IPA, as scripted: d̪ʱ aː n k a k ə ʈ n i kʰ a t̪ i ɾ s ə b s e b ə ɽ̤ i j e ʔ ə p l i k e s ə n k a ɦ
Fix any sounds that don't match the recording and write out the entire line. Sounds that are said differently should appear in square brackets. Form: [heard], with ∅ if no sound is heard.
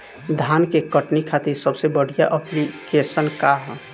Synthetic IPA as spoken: d̪ʱ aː n k [e] k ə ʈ n i kʰ a t̪ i ɾ s ə b s e b ə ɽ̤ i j [a] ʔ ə p l i k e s ə n k a ɦ